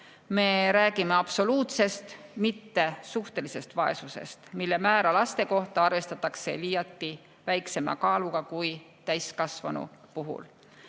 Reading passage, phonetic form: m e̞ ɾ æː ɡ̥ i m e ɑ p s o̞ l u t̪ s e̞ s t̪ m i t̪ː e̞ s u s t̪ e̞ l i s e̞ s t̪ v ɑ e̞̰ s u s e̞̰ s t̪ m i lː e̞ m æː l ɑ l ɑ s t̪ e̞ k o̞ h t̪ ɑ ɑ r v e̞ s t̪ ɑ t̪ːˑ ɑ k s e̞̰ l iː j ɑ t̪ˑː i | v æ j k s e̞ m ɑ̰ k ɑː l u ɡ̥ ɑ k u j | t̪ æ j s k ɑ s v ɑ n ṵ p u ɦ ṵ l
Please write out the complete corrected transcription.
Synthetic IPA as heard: m e̞ ɾ æː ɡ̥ i m e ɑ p s o̞ l uː t̪ s e̞ s t̪ m i t̪ː e̞ s u h t̪ e̞ l i s e̞ s t̪ v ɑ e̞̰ s u s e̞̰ s t̪ m i lː e̞ m æː ɾ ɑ l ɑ s t̪ e̞ k o̞ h t̪ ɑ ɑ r v e̞ s t̪ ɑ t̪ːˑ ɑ k s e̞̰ l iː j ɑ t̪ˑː i | v æ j k s e̞ m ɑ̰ k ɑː l u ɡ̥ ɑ k u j | t̪ æ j s k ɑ s v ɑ n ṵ p u ɦ ṵ l